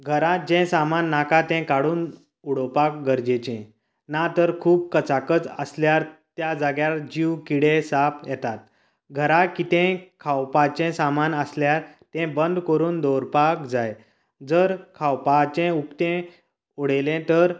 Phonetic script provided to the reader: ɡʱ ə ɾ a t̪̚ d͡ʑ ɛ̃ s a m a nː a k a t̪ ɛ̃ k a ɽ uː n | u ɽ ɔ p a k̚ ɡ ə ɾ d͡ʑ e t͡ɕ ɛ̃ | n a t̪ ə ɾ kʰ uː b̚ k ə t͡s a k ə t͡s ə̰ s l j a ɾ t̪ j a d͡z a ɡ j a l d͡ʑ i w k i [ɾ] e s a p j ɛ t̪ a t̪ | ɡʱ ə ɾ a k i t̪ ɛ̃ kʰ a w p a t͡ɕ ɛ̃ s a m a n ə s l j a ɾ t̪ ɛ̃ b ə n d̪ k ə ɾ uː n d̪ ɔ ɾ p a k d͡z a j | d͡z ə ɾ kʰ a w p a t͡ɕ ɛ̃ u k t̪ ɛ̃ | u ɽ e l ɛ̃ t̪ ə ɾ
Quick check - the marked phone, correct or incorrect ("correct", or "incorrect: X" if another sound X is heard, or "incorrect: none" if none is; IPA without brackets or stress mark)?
incorrect: ɽ